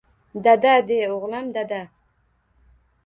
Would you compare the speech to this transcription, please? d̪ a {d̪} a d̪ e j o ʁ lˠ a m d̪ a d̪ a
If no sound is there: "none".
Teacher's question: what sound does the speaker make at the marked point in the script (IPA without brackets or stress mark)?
d̪